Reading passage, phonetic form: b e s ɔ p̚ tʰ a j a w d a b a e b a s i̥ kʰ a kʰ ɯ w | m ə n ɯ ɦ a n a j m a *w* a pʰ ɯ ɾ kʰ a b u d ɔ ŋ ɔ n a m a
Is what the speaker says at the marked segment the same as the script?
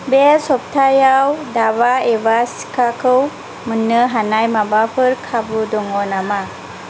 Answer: no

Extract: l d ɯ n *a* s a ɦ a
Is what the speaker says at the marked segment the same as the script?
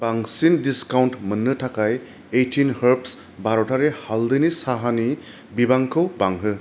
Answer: no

